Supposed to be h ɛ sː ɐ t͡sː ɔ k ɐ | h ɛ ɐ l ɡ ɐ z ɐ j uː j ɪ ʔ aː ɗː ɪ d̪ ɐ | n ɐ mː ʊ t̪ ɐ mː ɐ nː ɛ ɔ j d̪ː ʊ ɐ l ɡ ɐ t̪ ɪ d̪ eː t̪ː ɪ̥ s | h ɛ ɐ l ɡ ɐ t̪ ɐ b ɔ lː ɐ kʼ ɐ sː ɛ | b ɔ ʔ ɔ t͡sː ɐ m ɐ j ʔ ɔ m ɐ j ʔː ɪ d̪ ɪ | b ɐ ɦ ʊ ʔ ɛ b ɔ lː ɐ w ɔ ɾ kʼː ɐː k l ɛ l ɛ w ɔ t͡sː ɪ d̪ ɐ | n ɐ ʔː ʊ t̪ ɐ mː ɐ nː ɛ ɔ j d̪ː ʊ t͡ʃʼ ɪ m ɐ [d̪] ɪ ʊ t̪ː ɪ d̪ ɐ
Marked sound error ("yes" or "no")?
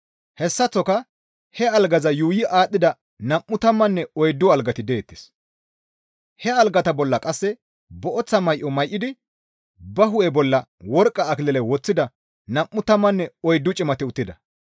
yes